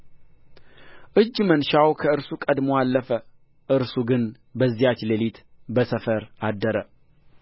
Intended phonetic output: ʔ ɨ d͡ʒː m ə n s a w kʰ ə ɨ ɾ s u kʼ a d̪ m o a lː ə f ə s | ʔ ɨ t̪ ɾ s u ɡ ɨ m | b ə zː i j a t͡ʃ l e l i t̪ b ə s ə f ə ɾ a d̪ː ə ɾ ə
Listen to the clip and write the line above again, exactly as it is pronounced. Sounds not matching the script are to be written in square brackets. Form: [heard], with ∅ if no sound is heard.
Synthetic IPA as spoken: ʔ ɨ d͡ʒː m ə n [ʃ] a w kʰ ə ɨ ɾ s u kʼ [ə] d̪ m o a lː ə f ə [∅] | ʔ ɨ [∅] ɾ s u ɡ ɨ [n] | b ə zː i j a t͡ʃ l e l i t̪ b ə s ə f ə ɾ a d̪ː ə ɾ ə